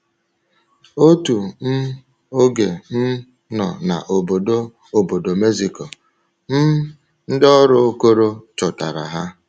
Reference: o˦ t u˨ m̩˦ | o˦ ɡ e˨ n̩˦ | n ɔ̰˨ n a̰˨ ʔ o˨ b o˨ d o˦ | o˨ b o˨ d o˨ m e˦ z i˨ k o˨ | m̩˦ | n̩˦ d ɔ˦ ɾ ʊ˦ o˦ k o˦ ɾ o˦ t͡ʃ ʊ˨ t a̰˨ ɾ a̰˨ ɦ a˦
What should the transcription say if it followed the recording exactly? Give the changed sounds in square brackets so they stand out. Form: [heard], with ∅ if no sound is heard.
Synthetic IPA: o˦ t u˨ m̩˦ | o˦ ɡ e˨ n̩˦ | n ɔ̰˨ n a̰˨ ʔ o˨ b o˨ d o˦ | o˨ b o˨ d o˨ m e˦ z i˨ k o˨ | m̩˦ | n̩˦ d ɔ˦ ɾ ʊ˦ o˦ k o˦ ɾ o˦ t͡ʃ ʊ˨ t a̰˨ ɾ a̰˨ ɦ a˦